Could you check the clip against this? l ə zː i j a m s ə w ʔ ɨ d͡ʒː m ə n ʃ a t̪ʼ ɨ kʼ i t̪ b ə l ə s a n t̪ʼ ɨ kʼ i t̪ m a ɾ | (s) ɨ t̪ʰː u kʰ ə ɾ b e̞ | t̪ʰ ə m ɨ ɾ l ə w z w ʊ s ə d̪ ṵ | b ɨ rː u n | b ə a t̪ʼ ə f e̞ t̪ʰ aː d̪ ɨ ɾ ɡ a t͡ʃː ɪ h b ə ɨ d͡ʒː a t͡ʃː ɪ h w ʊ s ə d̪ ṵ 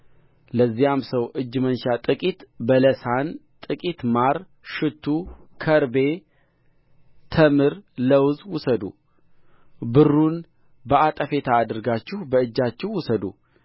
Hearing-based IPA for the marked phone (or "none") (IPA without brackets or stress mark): ʃ